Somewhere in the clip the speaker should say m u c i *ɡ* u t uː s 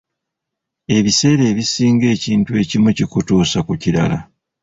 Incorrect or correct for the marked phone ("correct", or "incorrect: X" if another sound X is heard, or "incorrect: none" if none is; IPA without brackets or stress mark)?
incorrect: k